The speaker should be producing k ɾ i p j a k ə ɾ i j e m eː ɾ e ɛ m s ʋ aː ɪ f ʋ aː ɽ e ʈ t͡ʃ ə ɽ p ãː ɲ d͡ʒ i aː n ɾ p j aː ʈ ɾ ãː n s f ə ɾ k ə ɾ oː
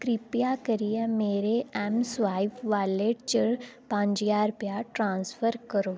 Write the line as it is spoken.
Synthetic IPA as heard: k ɾ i p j a k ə ɾ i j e m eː ɾ e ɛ m s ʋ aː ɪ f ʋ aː l e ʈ t͡ʃ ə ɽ p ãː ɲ d͡ʒ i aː ɾ p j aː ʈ ɾ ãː n s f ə ɾ k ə ɾ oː